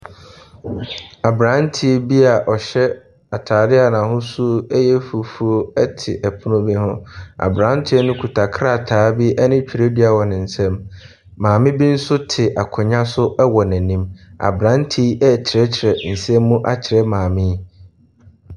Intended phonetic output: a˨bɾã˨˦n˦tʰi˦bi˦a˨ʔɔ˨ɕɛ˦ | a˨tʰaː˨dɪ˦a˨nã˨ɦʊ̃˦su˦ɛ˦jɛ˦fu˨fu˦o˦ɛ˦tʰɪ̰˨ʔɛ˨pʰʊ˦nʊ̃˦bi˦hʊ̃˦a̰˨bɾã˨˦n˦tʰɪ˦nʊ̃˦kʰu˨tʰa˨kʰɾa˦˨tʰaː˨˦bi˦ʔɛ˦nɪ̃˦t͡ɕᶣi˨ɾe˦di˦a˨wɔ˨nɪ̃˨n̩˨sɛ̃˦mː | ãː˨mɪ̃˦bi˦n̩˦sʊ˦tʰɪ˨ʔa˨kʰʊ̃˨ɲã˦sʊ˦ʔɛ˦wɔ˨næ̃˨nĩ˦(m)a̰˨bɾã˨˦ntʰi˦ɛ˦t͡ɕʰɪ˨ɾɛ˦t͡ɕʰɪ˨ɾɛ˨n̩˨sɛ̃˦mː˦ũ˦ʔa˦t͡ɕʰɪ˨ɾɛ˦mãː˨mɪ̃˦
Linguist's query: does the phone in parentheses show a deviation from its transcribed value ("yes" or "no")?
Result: no